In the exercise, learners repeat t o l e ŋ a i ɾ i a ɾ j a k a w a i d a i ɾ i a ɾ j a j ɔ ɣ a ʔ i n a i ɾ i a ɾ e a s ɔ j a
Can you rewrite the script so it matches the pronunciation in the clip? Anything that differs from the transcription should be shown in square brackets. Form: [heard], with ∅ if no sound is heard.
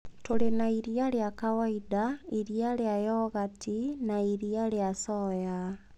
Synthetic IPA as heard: t o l e [n] a i ɾ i a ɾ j a k a w a i d a i ɾ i a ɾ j a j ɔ ɣ a [t] i n a i ɾ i a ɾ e a s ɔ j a